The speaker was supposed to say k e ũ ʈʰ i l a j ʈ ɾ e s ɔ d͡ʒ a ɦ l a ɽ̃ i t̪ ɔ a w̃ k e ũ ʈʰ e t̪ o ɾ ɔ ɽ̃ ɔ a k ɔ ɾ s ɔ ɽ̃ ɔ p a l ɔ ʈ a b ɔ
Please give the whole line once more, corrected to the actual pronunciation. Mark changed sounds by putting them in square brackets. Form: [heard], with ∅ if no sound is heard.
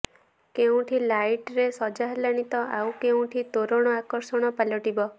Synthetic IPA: k e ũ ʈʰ i l a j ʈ ɾ e s ɔ d͡ʒ a ɦ l a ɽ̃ i t̪ ɔ a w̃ k e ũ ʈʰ [i] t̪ o ɾ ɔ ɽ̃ ɔ a k ɔ ɾ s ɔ ɽ̃ ɔ p a l ɔ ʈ [i] b ɔ